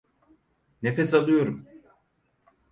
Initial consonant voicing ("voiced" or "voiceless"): voiced